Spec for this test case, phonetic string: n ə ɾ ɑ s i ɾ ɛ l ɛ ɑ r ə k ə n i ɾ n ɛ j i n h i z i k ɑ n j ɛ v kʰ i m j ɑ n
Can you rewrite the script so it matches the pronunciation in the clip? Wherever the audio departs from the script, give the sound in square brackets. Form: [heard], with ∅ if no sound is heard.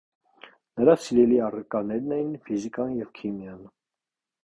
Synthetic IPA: n ə ɾ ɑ s i ɾ ɛ l [i] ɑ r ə k [ɑ] n [ɛ] ɾ n ɛ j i n [f] i z i k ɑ n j ɛ v kʰ i m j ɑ n